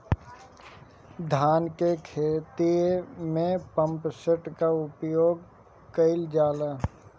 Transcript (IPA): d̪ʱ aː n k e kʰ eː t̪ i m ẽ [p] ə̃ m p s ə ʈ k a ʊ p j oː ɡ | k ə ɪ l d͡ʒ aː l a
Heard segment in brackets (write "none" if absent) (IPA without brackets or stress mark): p